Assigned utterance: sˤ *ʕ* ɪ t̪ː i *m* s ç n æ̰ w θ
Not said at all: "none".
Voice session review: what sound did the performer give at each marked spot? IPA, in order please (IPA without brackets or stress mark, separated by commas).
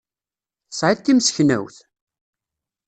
ʕ, m